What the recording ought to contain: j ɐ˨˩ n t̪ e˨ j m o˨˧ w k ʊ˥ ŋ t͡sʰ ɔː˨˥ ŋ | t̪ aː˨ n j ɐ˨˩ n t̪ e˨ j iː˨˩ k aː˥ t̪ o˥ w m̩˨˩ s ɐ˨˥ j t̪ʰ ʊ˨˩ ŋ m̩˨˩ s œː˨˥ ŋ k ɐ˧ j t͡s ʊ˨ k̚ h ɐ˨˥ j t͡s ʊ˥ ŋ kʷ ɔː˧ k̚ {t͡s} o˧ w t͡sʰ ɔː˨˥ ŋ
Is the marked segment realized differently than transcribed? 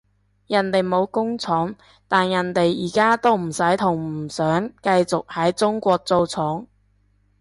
no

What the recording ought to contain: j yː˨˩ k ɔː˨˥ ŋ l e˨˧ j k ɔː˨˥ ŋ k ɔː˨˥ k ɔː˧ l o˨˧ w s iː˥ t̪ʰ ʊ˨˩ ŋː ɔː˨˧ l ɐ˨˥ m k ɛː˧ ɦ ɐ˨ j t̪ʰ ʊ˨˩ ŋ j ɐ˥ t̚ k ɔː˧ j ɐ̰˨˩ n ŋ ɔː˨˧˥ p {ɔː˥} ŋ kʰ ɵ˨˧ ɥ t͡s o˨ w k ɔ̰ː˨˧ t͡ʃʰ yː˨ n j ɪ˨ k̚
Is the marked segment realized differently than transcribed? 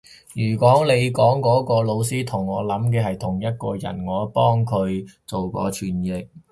no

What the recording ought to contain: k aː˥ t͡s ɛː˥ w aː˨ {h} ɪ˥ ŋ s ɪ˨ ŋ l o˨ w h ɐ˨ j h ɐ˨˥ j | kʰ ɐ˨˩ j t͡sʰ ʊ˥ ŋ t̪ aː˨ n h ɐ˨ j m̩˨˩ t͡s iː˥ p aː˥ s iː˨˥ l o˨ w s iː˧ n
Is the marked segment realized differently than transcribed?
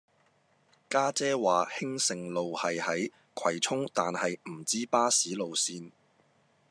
no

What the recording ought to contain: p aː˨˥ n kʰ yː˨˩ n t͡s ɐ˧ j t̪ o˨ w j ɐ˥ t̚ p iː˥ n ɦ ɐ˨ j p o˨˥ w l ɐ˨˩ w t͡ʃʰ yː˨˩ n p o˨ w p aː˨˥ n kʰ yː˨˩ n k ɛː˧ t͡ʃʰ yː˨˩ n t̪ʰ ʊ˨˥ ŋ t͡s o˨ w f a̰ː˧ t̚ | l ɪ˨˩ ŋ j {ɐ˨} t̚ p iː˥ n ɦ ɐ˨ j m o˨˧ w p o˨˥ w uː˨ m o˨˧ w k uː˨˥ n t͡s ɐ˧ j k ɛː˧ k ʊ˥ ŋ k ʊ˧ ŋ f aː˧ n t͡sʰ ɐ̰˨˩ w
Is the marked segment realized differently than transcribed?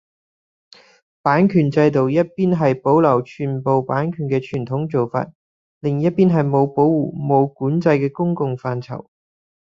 yes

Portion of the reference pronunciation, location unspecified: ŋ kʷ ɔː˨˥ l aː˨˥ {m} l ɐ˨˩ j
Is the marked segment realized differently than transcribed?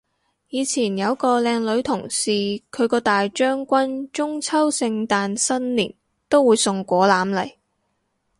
no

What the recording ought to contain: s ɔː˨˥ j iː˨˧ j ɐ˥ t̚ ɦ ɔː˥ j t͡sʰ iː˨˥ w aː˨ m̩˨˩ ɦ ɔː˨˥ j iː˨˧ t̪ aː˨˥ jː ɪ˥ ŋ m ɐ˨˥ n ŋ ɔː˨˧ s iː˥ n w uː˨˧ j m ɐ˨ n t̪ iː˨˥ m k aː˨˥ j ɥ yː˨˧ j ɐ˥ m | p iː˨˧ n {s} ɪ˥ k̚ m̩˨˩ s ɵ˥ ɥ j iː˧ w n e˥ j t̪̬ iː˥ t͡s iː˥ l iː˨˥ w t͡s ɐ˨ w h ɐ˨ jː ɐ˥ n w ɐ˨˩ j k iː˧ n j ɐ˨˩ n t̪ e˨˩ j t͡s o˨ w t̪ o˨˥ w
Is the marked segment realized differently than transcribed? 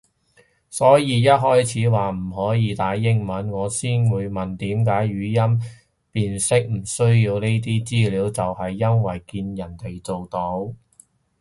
no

